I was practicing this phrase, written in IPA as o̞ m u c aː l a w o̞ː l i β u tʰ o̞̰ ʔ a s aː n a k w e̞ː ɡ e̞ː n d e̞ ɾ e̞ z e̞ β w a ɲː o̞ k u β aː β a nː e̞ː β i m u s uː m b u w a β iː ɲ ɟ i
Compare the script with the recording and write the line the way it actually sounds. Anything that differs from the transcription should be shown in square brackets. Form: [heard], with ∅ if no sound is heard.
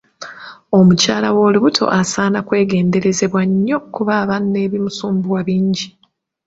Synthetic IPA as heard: o̞ m u c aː l a w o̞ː l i β u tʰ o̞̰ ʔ a s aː n a k w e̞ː ɡ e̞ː n d e̞ ɾ e̞ z e̞ β w a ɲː o̞ k u β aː β a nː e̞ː β i m u s uː m b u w a β iː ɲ ɟ i